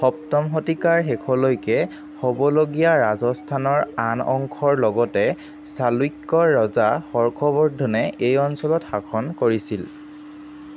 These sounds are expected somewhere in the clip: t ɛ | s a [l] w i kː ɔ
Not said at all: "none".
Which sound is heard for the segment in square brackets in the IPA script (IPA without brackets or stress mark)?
l